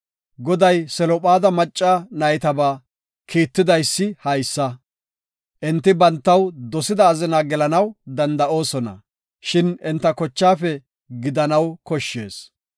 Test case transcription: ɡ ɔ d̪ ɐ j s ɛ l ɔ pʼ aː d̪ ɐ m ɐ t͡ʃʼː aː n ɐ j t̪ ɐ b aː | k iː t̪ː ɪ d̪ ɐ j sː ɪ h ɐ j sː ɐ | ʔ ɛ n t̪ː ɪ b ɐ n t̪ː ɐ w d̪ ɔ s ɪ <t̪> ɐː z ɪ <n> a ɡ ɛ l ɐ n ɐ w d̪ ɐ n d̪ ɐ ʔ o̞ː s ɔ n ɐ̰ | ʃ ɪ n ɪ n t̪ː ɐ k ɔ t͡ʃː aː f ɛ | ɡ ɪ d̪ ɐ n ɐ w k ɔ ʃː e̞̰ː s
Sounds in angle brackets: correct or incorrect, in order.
incorrect, correct

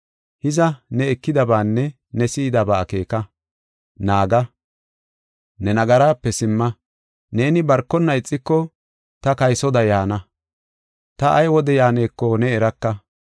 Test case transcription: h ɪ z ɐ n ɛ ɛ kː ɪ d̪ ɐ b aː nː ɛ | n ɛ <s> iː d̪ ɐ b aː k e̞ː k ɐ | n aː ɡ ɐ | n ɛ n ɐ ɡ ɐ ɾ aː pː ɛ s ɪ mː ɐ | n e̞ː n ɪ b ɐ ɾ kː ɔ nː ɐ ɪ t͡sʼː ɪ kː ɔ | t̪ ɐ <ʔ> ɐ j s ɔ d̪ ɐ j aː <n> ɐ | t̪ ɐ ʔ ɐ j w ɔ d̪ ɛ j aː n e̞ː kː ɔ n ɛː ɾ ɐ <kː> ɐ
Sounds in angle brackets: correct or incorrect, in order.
correct, incorrect, correct, correct

